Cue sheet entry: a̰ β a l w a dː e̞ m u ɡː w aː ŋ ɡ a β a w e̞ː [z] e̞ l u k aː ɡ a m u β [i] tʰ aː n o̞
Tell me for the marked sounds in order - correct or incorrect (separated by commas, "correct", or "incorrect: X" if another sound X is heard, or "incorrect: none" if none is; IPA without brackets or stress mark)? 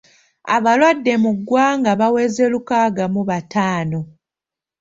correct, incorrect: a